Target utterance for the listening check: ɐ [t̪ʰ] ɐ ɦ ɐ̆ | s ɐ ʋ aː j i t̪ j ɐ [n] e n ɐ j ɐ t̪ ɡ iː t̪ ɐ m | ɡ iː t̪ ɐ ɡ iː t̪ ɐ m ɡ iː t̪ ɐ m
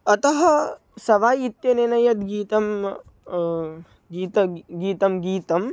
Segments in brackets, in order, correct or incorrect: incorrect: t̪, correct

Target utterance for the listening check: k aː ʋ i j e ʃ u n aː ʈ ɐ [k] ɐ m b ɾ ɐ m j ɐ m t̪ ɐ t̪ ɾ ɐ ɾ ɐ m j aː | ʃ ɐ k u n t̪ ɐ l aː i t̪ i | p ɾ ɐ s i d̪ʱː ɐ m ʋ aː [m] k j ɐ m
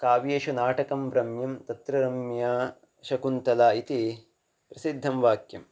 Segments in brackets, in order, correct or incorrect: correct, incorrect: none

